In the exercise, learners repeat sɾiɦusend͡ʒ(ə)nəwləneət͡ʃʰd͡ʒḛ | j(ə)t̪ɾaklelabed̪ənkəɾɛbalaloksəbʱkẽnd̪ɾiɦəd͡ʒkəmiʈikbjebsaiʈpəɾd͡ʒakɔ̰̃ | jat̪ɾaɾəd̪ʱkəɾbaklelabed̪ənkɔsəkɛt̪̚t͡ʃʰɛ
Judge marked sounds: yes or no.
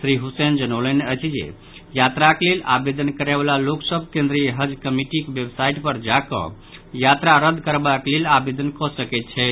yes, no

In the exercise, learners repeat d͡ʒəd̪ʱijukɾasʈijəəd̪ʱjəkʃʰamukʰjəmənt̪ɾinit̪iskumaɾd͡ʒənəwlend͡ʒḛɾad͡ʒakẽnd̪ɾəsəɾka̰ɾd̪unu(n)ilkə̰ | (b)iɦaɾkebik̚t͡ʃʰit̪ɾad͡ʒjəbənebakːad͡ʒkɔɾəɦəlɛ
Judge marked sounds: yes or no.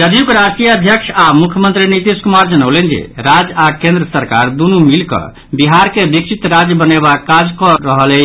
no, yes

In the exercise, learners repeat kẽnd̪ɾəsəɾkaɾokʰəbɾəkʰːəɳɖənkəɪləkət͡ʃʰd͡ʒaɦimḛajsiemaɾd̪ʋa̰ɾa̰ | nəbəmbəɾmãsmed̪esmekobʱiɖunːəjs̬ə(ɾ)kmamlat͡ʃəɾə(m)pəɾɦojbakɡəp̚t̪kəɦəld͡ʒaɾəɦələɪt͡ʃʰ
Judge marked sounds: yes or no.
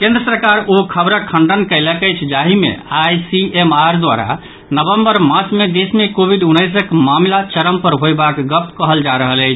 no, yes

